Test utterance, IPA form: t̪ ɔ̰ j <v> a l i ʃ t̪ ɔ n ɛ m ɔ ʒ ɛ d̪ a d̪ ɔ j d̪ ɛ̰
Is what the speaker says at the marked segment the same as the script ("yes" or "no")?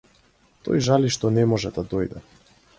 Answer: no